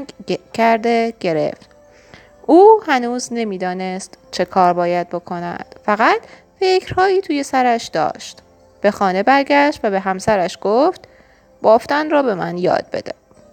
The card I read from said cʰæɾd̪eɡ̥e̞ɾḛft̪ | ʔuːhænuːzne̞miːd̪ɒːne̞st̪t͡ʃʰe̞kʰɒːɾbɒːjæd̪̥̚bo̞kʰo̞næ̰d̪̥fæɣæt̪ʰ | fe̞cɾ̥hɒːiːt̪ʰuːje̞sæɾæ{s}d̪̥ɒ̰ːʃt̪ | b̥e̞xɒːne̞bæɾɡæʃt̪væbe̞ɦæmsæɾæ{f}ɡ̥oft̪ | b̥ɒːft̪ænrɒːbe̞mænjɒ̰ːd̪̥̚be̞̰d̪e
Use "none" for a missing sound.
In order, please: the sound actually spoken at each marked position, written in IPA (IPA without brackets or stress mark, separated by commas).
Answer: ʃ, ʃ